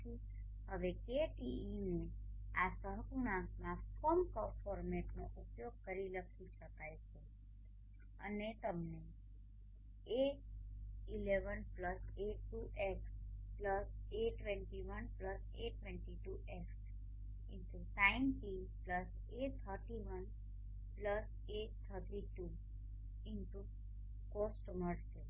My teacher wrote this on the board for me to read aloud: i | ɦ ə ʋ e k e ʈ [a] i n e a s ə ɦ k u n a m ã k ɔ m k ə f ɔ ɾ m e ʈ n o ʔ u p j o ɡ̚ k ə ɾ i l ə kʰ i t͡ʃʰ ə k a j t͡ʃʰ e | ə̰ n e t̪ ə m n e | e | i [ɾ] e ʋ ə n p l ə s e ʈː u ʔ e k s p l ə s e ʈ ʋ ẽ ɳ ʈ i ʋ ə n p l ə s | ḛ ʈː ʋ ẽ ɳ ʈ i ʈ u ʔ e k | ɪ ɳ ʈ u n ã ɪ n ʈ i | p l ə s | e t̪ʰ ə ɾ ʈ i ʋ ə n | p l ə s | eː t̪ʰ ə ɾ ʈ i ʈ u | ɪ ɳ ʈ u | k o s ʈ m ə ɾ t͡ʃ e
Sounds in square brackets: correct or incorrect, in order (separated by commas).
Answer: incorrect, incorrect